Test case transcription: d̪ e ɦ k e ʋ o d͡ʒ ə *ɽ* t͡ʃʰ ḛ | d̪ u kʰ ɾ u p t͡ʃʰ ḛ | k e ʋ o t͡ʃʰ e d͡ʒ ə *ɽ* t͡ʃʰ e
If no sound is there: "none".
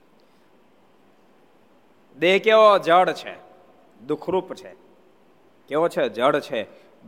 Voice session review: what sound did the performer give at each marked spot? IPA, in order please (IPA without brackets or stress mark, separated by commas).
ɽ, ɽ